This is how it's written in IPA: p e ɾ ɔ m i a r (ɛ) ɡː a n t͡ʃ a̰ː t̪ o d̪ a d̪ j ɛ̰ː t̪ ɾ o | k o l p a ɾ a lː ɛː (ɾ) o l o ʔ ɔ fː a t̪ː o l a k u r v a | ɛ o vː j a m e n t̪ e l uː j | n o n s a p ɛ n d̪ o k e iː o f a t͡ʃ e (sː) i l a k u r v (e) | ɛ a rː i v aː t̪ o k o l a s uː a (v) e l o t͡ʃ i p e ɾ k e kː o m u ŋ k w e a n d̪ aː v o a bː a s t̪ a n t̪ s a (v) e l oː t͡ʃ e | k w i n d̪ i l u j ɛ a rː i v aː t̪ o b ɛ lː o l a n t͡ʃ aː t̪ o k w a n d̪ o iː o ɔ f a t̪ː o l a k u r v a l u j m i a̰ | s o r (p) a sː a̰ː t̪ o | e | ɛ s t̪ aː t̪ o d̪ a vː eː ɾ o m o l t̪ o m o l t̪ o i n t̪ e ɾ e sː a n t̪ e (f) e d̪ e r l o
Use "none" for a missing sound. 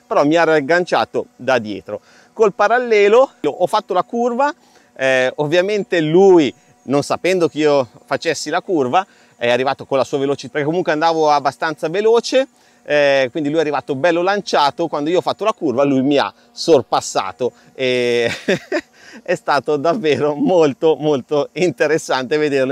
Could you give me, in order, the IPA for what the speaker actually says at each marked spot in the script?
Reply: a, l, sː, a, v, v, p, v

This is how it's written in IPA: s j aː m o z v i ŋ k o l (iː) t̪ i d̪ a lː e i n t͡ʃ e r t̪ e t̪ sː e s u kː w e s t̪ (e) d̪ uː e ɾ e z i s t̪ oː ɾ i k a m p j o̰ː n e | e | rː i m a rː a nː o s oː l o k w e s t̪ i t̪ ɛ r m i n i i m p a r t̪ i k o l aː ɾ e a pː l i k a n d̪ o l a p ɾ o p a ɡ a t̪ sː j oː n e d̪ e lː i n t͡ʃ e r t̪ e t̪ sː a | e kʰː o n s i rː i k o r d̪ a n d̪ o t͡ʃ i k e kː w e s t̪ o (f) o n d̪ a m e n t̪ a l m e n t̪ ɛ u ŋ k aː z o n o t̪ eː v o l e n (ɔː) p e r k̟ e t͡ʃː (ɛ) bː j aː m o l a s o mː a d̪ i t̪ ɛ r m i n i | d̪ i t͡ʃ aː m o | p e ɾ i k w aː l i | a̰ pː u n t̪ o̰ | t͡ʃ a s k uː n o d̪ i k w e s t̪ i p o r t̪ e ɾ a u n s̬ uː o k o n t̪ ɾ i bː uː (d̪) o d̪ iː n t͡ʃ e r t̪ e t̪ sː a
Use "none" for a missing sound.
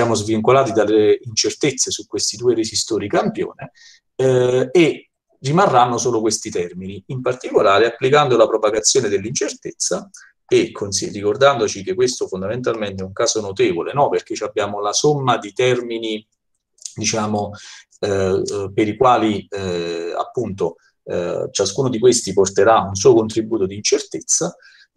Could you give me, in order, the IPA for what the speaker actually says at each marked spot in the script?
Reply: aː, i, f, ɔ, a, t̪

